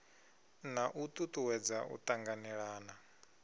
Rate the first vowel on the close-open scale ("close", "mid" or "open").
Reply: open